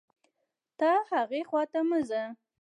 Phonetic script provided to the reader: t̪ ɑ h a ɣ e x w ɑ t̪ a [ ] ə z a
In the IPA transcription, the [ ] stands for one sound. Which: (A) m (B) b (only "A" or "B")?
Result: A